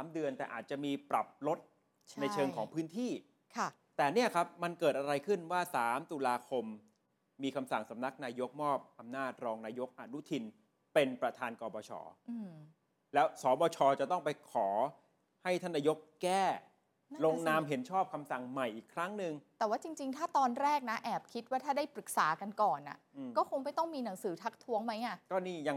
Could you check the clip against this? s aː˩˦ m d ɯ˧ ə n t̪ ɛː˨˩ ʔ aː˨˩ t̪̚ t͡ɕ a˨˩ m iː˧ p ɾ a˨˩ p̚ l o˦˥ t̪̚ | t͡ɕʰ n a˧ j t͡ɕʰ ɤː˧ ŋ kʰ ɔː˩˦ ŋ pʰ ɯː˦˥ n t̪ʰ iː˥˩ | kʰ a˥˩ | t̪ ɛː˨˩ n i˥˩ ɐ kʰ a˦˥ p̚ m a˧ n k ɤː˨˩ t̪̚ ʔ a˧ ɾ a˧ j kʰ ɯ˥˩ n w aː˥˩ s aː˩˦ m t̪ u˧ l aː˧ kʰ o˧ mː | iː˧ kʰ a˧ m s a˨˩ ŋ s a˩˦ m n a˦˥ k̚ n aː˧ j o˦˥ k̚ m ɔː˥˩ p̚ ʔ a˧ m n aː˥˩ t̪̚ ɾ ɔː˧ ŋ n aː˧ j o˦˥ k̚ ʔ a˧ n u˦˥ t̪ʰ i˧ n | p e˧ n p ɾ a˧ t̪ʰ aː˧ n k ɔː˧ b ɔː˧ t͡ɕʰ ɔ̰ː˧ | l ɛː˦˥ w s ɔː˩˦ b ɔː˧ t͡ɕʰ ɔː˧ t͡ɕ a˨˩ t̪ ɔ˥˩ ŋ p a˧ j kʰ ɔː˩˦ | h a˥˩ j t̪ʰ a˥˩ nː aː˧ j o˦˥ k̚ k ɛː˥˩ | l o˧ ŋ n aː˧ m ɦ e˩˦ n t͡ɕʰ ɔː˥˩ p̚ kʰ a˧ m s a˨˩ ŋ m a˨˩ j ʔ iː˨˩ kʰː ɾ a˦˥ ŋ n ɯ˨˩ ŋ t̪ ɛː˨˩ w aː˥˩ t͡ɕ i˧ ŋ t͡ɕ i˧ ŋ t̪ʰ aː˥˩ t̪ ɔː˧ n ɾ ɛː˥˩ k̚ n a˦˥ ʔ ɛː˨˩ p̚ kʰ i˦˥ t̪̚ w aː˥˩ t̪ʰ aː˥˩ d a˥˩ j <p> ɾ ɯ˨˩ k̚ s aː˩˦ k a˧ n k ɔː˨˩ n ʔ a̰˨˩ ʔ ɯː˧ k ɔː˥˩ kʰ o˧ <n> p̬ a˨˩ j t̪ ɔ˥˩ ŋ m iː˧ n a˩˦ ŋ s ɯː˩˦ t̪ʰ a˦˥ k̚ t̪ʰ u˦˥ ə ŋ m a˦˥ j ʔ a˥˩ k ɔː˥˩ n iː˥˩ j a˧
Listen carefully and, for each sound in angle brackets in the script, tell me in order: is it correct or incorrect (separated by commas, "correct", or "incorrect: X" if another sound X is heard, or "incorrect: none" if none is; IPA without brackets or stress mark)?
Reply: correct, incorrect: ŋ